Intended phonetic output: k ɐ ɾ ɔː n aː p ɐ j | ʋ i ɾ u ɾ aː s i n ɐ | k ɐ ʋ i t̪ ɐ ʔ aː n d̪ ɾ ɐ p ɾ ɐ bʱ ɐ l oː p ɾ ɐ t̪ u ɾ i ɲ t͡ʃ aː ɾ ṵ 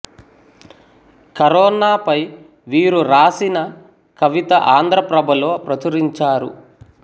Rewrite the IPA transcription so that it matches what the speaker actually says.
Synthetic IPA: k ɐ ɾ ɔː n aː p ɐ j | ʋ iː ɾ u ɾ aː s i n ɐ | k ɐ ʋ i t̪ ɐ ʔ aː n d̪ ɾ ɐ p ɾ ɐ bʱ ɐ l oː p ɾ ɐ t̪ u ɾ i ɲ t͡ʃ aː ɾ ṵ